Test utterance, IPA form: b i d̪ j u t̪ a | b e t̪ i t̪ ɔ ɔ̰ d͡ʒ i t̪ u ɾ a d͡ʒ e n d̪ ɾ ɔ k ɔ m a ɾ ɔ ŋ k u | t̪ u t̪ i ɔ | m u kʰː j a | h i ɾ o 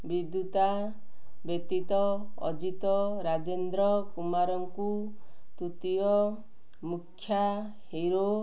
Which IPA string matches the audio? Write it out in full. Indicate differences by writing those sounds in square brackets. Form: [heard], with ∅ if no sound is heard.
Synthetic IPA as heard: b i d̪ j u t̪ a | b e t̪ i t̪ ɔ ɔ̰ d͡ʒ i t̪ [ɔ] ɾ a d͡ʒ e n d̪ ɾ ɔ k [u] m a ɾ ɔ ŋ k u | t̪ u t̪ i ɔ | m u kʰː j a | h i ɾ o